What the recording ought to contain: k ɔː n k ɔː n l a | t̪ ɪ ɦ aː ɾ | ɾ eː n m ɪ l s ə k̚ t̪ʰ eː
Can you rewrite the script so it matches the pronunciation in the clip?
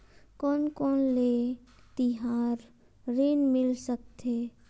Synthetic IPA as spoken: k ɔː n k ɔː n l e | t̪ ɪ ɦ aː ɾ | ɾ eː n m ɪ l s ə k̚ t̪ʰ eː